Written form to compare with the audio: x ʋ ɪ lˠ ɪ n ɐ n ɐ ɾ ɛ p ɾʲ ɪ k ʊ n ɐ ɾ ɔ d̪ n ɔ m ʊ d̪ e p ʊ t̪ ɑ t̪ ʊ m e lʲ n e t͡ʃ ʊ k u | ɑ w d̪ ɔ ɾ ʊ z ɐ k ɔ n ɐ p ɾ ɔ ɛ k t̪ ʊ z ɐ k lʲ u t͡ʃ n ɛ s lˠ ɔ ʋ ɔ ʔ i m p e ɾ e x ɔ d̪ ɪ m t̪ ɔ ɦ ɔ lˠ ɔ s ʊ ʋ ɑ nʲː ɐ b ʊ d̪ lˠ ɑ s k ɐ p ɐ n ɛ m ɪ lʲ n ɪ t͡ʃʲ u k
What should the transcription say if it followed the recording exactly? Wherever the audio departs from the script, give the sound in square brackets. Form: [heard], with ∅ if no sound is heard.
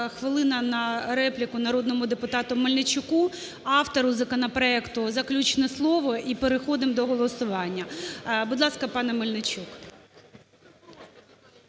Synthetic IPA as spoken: x ʋ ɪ lˠ ɪ n ɐ n ɐ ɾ ɛ p [lʲ] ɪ k ʊ n ɐ ɾ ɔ d̪ n ɔ m ʊ d̪ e p ʊ t̪ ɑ t̪ ʊ m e lʲ n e t͡ʃ ʊ k u | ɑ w [t̪] ɔ ɾ ʊ z ɐ k ɔ n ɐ p ɾ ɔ ɛ k t̪ ʊ z ɐ k lʲ u t͡ʃ n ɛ s lˠ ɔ ʋ ɔ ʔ i [∅] p e ɾ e x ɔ d̪ ɪ m [d̪] ɔ ɦ ɔ lˠ ɔ s ʊ ʋ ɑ nʲː ɐ b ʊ d̪ lˠ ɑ s k ɐ p [ɑ] n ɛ m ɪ lʲ n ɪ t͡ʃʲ u k